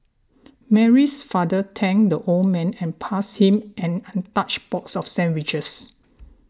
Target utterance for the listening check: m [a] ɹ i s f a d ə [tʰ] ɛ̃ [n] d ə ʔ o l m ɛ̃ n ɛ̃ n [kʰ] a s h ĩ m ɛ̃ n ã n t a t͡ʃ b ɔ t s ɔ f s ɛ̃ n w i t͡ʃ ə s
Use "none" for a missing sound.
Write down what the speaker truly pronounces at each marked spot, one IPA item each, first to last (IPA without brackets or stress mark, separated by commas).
ɛ, tʰ, ŋ, pʰ